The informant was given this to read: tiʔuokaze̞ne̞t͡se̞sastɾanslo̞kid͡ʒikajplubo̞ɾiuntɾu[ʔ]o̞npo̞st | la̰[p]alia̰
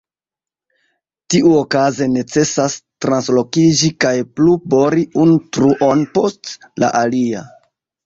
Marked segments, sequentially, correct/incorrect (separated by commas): correct, incorrect